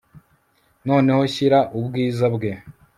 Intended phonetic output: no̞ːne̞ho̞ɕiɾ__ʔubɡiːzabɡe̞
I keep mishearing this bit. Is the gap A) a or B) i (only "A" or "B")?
A